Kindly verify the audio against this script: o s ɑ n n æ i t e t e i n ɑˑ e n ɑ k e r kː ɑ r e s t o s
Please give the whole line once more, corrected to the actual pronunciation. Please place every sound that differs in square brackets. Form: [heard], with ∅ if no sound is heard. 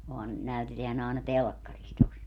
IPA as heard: o [h] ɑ n n æ [y] t e t e [æ] n ɑˑ e n ɑ [t] e [l] kː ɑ r [i] s t o s